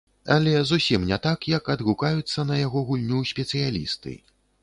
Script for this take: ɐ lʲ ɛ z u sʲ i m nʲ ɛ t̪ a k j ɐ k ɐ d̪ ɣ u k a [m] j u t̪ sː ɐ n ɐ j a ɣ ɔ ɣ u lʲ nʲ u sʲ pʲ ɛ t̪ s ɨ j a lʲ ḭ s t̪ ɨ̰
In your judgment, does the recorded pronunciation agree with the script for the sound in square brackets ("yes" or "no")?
no